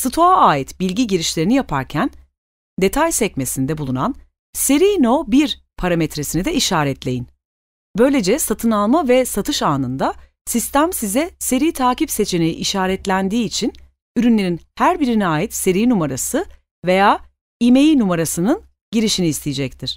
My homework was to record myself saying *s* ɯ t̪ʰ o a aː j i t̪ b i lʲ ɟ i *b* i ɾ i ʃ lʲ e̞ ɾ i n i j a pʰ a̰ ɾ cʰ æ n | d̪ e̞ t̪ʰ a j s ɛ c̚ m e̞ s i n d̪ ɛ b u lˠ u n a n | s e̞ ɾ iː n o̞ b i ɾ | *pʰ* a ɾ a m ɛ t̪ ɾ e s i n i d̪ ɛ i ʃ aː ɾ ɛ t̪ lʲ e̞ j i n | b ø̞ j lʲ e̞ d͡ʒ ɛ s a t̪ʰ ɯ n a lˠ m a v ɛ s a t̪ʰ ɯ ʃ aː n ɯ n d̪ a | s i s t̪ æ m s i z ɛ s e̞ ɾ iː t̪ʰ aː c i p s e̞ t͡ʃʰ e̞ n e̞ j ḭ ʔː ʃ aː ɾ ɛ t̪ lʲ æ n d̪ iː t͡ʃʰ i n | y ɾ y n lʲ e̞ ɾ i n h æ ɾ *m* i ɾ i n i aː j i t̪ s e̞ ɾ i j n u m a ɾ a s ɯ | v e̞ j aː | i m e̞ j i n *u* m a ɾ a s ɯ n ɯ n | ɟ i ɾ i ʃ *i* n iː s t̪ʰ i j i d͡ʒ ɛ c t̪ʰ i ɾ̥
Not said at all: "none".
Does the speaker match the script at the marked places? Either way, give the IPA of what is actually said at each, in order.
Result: s, ɟ, pʰ, b, u, i

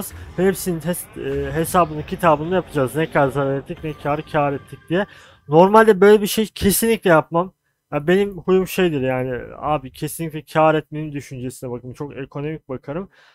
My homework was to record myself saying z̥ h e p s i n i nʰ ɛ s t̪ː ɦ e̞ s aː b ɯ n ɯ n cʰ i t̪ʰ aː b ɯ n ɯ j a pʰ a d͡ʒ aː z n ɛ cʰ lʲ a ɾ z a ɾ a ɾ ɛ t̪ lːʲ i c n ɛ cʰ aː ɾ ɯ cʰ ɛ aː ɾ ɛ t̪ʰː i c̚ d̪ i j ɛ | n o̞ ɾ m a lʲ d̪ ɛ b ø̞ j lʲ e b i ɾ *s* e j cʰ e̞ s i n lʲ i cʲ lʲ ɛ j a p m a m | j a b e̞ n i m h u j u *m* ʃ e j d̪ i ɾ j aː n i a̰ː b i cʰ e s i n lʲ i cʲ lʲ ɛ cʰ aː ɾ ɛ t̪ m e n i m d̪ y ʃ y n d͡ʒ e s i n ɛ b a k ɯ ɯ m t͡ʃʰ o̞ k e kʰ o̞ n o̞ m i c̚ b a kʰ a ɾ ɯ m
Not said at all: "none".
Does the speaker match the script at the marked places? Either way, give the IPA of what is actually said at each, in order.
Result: ʃ, m

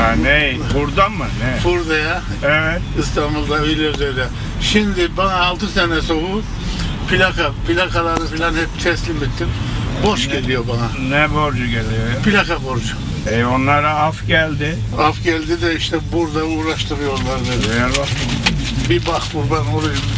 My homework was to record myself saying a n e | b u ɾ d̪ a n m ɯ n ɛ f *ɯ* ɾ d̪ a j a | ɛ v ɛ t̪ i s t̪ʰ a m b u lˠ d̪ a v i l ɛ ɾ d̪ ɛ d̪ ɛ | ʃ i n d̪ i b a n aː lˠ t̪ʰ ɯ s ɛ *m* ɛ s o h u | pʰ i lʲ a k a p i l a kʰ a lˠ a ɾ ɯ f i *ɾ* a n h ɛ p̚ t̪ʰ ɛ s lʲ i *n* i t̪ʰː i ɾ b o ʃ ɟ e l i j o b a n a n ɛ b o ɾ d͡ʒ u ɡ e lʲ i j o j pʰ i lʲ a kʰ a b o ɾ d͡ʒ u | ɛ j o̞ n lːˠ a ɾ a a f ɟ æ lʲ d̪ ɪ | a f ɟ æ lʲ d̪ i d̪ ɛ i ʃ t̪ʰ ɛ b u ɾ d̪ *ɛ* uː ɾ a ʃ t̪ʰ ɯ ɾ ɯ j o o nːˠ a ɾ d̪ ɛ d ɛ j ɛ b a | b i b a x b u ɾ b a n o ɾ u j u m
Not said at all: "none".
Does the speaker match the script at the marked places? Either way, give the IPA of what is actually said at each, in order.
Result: u, n, l, m, a

